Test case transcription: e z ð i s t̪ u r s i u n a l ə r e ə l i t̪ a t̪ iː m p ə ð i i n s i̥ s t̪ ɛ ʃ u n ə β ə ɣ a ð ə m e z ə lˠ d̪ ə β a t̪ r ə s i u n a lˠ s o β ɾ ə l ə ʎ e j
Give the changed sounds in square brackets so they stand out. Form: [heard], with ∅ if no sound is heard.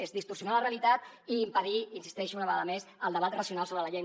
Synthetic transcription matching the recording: e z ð i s t̪ u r s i u n a l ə r e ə l i t̪ a t̪ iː m p ə ð i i n s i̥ s t̪ ɛ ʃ u n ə β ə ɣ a ð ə m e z ə lˠ d̪ ə β a t̪ r ə s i u n a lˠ s o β ɾ ə l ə ʎ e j